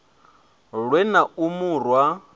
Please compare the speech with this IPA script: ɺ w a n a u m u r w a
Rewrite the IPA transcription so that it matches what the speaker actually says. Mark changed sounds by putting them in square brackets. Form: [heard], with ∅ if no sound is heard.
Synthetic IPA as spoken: ɺ w [ɛ] n a u m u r w a